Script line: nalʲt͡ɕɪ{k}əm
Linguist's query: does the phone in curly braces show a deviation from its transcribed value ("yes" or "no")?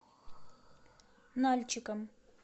no